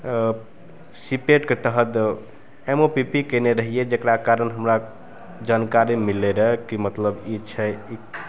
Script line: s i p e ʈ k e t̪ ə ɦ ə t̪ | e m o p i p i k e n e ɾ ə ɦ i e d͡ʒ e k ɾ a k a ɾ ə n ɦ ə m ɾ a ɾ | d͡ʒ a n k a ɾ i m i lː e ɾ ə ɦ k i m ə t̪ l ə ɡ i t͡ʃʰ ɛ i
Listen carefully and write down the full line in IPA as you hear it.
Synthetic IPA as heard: s i p e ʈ k e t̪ ə ɦ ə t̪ | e m o p i p i k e n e ɾ ə ɦ i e d͡ʒ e k ɾ a k a ɾ ə n ɦ ə m ɾ a | d͡ʒ a n k a ɾ i m i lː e ɾ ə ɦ k i m ə t̪ l ə b i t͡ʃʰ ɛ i